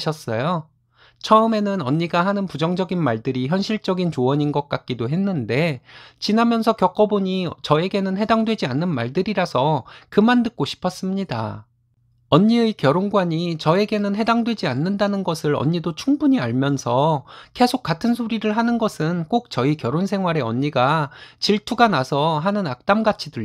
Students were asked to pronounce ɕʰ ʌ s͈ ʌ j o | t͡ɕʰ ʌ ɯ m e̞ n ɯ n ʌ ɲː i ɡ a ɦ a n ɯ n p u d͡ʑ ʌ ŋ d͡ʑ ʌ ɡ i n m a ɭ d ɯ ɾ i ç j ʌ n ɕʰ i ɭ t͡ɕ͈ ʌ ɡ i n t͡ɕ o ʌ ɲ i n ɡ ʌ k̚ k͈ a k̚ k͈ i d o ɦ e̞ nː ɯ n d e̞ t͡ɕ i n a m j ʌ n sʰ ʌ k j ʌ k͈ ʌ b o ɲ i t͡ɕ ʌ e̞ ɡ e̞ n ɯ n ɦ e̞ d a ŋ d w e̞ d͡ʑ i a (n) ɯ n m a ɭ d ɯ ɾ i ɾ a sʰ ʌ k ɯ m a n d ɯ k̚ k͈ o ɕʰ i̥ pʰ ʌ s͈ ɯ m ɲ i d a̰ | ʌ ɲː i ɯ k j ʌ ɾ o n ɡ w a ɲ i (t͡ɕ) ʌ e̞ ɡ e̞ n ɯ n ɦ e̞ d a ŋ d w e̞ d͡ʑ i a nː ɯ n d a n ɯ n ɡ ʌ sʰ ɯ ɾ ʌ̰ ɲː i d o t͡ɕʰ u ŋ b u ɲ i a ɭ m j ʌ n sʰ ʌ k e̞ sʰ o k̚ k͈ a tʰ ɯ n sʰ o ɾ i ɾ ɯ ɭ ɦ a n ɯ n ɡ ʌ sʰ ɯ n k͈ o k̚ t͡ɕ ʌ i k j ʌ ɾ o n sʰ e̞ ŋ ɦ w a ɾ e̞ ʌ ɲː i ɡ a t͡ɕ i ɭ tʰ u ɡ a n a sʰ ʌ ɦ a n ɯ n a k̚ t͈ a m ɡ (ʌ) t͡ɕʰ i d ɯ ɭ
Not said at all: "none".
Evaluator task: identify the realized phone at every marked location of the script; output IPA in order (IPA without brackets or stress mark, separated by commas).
nː, t͡ɕ, a